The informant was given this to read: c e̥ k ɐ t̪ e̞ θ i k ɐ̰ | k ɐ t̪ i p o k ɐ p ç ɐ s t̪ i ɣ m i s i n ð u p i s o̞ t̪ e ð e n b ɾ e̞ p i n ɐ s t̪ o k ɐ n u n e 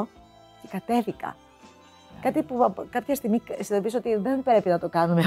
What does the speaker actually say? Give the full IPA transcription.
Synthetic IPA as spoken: c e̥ k ɐ t̪ e̞ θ i k ɐ̰ | k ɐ t̪ i p u k ɐ p ç ɐ s t̪ i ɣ m i s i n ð o p i s o̞ t̪ i ð e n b ɾ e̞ p i n ɐ t̪ o k ɐ n u m e